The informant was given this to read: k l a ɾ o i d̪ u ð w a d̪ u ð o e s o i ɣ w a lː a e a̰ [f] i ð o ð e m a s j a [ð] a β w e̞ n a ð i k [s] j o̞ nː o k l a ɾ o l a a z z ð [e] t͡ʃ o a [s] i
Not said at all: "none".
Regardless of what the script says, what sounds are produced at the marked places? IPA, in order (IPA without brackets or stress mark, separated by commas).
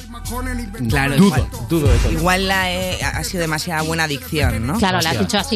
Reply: s, ð, θ, i, s